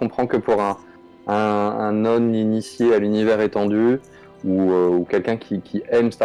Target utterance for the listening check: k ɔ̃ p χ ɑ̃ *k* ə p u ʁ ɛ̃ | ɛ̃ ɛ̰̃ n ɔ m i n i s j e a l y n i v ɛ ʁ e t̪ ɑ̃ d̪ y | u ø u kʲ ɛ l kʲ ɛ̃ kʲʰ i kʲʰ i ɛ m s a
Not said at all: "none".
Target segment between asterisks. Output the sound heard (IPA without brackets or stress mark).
k